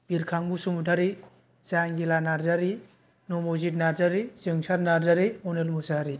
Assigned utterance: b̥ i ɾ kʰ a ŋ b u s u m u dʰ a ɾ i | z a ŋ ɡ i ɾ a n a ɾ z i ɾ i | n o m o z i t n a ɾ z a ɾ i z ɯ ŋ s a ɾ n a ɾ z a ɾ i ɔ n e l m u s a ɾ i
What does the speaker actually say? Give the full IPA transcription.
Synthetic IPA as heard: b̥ i ɾ kʰ a ŋ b u s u m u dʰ a ɾ i | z a ŋ ɡ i l a n a ɾ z a ɾ i | n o m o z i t n a ɾ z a ɾ i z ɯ ŋ s a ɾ n a ɾ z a ɾ i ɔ n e l m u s a ɾ i